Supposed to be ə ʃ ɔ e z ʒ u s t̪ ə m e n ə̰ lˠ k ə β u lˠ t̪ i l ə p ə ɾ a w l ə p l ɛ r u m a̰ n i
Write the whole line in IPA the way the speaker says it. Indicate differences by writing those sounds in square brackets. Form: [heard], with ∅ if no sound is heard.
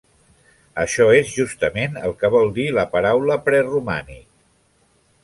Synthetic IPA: ə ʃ ɔ e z ʒ u s t̪ ə m e n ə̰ lˠ k ə β [ɔ] lˠ [d̪] i l ə p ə ɾ a w l ə p [ɾ] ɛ r u m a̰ n i